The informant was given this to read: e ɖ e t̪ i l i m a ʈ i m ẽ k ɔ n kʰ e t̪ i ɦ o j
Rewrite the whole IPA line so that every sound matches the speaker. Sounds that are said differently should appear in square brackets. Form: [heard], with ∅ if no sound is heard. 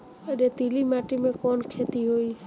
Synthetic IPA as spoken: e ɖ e t̪ i l i m a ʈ i m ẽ k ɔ n kʰ e t̪ i ɦ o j

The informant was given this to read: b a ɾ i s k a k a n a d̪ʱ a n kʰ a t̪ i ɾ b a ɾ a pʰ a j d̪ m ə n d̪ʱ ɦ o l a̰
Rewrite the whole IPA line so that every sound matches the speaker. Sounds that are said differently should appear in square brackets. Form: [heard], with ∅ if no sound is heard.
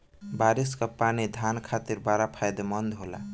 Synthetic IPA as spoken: b a ɾ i s k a [p] a n [i] d̪ʱ a n kʰ a t̪ i ɾ b a ɾ a pʰ a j d̪ m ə n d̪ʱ ɦ o l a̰

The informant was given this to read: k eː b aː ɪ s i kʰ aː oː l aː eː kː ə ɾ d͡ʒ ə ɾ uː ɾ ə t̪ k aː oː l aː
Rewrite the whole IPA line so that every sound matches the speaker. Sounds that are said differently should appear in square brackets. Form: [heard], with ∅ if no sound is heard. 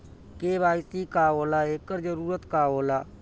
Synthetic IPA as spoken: k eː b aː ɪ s i [k] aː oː l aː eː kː ə ɾ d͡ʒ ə ɾ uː ɾ ə t̪ k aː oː l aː

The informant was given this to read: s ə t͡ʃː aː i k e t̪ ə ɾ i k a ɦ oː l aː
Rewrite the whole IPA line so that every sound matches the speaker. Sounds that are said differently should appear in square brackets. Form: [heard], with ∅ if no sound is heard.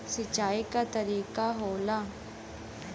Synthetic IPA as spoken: s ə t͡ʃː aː i k [a] t̪ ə ɾ [iː] k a ɦ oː l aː

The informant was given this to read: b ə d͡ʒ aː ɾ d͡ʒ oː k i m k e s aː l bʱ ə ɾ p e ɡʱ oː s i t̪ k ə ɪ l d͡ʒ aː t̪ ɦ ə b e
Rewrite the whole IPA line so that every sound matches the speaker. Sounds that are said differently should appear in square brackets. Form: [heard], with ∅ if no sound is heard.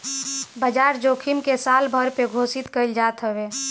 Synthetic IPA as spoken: b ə d͡ʒ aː ɾ d͡ʒ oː [kʰ] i m k e s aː l bʱ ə ɾ p e ɡʱ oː s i t̪ k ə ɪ l d͡ʒ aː t̪ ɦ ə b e

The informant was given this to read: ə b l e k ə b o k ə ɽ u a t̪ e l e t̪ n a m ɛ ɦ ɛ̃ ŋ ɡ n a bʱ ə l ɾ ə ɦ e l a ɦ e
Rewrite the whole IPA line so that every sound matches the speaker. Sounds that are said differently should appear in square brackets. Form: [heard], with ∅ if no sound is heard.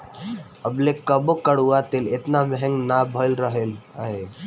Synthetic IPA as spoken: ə b l e k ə b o k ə ɽ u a t̪ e l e t̪ n a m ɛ ɦ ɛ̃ ŋ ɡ n a bʱ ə l ɾ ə ɦ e l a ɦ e

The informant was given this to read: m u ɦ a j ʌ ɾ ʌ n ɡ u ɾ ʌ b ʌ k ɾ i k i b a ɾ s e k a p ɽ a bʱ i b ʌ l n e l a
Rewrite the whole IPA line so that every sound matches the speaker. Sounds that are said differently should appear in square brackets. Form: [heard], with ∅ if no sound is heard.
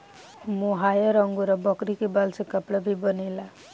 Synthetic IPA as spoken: m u ɦ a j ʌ ɾ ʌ [ŋ] ɡ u ɾ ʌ b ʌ k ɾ i k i b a [l] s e k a p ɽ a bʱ i b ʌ [∅] n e l a

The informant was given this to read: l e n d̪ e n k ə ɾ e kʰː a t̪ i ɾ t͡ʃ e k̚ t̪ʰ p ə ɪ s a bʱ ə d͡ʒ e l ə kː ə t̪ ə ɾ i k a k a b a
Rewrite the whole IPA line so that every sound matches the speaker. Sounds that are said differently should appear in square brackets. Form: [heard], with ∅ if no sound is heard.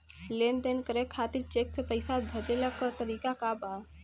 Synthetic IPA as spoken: l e n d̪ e n k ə ɾ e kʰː a t̪ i ɾ t͡ʃ e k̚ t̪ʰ p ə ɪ s a bʱ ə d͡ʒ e l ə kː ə t̪ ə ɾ i k a k a b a

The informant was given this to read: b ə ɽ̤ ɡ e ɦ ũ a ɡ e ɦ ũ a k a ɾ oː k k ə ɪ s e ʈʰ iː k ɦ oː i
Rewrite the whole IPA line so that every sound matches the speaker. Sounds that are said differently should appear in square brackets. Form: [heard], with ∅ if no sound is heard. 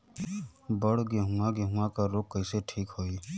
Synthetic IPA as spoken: b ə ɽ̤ ɡ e ɦ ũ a ɡ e ɦ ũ a k a ɾ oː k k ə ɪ s e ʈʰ iː k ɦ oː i

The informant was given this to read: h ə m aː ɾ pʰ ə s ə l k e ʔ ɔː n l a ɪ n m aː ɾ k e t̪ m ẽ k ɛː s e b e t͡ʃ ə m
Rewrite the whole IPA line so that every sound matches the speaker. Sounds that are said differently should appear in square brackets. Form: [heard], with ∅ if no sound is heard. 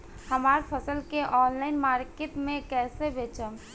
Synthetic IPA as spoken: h ə m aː ɾ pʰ ə s ə l k e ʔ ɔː n l a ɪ n m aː ɾ k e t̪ m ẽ k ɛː s e b e t͡ʃ ə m

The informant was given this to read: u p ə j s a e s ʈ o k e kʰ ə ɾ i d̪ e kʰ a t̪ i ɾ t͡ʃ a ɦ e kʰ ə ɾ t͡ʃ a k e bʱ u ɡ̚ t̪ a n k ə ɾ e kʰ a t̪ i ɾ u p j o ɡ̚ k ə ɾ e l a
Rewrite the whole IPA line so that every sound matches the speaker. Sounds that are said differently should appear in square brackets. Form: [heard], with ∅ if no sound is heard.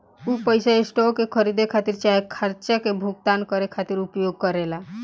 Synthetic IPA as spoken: u p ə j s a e s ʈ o k e kʰ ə ɾ i d̪ e kʰ a t̪ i ɾ t͡ʃ a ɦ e kʰ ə ɾ t͡ʃ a k e bʱ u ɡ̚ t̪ a n k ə ɾ e kʰ a t̪ i ɾ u p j o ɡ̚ k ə ɾ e l a

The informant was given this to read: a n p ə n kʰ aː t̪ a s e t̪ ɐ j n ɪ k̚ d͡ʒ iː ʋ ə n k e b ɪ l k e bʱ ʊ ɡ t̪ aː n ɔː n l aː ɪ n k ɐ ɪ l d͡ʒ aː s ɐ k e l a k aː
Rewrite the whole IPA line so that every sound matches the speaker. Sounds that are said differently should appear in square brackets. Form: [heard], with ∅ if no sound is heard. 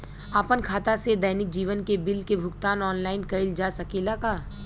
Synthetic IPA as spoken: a [∅] p ə n kʰ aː t̪ a s e [d̪] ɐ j n ɪ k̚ d͡ʒ iː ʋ ə n k e b ɪ l k e bʱ ʊ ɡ t̪ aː n ɔː n l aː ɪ n k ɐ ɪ l d͡ʒ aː s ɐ k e l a k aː

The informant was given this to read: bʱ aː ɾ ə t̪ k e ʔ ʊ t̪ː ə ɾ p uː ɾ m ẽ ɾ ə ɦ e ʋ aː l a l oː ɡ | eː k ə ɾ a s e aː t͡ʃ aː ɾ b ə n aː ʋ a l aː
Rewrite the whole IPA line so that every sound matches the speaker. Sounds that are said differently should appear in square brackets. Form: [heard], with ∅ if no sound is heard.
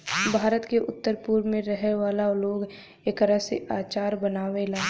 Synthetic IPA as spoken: bʱ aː ɾ ə t̪ k e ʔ ʊ t̪ː ə ɾ p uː ɾ m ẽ ɾ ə ɦ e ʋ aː l a l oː ɡ | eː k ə ɾ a s e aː t͡ʃ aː ɾ b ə n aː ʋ [e] l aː

